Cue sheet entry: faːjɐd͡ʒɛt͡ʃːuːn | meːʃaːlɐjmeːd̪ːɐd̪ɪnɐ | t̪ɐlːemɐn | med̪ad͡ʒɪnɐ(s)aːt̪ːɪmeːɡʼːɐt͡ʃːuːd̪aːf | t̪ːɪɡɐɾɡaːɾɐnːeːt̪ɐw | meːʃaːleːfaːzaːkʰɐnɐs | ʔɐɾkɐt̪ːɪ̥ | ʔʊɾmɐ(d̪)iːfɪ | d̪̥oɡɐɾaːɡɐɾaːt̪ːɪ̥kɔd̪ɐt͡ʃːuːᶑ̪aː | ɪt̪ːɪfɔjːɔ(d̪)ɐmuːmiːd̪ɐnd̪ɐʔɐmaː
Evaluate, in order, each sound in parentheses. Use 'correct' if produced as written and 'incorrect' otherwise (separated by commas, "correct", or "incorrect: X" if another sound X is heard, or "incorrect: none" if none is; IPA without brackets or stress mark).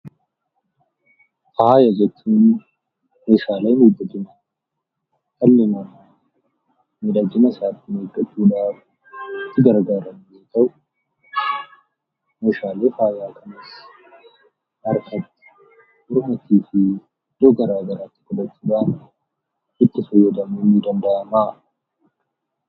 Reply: correct, incorrect: t̪, correct